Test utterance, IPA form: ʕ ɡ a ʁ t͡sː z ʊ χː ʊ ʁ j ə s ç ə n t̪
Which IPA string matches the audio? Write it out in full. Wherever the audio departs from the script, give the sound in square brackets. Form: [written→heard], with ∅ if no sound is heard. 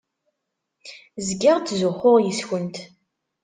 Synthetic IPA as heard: [ʕ→z] ɡ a ʁ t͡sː z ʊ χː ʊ ʁ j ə s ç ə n t̪